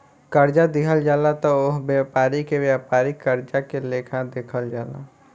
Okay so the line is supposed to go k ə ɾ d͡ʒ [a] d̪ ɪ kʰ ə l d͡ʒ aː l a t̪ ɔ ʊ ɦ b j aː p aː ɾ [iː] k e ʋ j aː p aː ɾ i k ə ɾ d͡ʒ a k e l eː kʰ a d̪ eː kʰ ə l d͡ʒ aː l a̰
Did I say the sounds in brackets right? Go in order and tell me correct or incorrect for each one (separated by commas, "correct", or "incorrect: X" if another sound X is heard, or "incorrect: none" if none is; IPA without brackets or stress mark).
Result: correct, incorrect: i